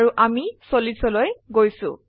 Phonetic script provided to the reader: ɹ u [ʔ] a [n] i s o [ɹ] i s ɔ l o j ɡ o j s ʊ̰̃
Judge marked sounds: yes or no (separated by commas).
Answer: yes, no, no